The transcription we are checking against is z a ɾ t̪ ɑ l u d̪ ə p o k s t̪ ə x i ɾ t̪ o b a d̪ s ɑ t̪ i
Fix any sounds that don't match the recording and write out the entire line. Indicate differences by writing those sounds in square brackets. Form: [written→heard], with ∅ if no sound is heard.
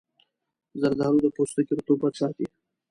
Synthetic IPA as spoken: z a ɾ [t̪→d̪] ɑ [l→ɾ] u d̪ ə p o [k→∅] s t̪ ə [x→k] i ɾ t̪ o b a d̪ s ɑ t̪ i